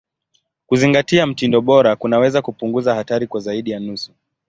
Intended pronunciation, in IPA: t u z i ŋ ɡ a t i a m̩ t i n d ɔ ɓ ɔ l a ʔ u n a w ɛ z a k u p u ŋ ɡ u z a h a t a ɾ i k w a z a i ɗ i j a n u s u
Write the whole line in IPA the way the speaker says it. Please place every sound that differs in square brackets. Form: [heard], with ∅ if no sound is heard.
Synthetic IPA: [k] u z i ŋ ɡ a t i a m̩ t i n d ɔ ɓ ɔ [ɾ] a [k] u n a w ɛ z a k u p u ŋ ɡ u z a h a t a ɾ i k w a z a i ɗ i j a n u s u